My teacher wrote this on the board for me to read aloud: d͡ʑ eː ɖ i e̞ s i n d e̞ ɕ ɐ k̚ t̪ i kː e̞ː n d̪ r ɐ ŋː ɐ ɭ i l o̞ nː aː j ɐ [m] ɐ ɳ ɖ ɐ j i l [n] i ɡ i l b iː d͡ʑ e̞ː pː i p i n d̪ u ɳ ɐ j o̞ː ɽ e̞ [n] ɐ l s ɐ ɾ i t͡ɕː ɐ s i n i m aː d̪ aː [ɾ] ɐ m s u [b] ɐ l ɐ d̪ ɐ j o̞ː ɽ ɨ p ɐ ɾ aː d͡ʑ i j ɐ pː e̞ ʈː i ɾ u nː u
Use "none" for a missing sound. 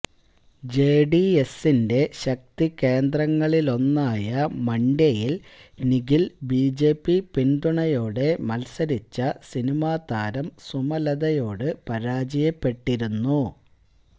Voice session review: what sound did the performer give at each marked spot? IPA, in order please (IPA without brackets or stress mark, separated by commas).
m, n, m, ɾ, m